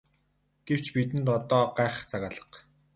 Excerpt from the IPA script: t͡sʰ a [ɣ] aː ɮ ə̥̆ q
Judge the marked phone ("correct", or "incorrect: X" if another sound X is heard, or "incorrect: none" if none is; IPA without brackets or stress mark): correct